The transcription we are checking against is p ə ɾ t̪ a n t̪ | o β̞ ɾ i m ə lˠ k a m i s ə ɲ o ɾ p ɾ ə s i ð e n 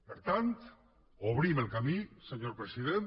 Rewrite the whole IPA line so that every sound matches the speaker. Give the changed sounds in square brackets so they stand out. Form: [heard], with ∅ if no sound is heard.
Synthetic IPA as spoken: p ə ɾ t̪ a n t̪ | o β̞ ɾ i m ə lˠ k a m i s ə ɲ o ɾ p ɾ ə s i ð e n